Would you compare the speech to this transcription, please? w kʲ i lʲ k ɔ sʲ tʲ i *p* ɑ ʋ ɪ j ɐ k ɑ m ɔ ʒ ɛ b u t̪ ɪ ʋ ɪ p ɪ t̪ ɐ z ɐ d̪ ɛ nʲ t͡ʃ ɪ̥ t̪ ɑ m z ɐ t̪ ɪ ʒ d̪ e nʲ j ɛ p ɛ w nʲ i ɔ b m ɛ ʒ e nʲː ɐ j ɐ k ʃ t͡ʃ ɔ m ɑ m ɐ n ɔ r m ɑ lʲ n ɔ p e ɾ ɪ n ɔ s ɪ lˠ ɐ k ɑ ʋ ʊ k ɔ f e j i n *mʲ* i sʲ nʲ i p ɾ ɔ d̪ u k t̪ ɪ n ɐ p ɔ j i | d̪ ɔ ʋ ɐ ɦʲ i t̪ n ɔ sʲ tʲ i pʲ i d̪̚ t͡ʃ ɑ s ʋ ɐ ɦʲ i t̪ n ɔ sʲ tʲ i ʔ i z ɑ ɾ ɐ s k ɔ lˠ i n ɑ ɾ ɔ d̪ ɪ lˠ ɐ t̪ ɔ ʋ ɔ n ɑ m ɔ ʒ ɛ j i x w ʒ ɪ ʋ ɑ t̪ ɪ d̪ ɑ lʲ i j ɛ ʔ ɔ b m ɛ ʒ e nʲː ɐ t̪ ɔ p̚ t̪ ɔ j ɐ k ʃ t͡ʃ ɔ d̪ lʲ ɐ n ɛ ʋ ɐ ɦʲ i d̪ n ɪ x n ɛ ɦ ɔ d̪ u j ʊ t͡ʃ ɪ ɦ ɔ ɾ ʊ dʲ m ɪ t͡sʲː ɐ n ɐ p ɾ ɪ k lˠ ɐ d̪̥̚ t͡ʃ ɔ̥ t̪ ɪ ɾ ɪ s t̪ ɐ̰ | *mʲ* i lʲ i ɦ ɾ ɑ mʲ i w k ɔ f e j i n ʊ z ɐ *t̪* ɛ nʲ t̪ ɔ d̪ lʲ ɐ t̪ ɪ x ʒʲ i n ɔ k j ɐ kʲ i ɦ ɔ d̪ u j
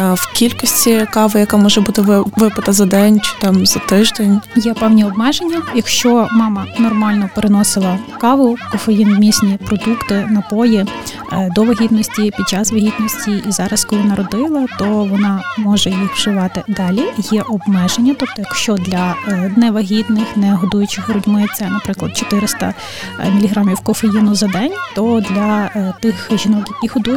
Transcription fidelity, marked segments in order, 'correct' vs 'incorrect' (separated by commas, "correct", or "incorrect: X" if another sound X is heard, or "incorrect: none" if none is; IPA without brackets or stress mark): incorrect: k, correct, correct, incorrect: d̪